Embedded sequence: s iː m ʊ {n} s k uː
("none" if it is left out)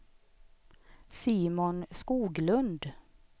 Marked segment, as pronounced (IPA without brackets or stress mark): n